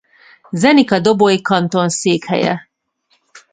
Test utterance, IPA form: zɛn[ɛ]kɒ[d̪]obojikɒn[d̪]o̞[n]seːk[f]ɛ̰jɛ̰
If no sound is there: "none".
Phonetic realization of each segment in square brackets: i, d̪, t̪, n, h

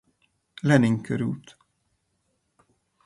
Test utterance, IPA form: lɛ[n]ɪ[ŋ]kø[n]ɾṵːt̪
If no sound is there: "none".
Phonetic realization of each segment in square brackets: n, ŋ, none

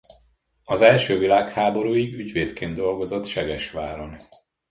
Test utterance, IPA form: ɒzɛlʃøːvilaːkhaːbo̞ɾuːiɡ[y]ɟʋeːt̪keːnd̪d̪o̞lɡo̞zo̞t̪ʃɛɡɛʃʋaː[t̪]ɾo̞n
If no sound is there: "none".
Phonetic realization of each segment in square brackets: y, none

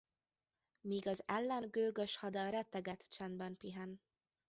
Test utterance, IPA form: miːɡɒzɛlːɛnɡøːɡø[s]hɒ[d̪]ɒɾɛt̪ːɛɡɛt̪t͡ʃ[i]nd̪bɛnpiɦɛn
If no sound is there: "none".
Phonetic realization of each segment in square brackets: ʃ, d̪, ɛ

